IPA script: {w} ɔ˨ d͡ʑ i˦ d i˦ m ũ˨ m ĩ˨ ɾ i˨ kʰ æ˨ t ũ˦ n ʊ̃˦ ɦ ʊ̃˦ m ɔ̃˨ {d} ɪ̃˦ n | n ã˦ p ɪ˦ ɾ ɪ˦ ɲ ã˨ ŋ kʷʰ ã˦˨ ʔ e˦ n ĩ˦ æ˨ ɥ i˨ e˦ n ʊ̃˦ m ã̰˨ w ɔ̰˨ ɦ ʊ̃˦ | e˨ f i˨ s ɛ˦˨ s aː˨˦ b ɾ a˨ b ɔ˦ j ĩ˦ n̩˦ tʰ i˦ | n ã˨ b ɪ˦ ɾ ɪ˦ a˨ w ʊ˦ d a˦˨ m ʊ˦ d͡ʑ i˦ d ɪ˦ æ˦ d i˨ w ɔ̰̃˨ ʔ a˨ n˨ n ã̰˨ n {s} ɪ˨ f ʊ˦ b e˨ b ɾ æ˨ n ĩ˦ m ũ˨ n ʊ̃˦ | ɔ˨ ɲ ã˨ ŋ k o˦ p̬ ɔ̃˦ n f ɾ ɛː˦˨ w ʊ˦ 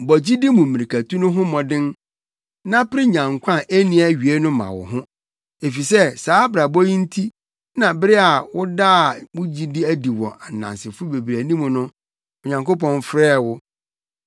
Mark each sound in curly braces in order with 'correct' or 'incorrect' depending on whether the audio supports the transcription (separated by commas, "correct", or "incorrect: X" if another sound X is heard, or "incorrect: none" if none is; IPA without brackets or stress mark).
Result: incorrect: b, correct, correct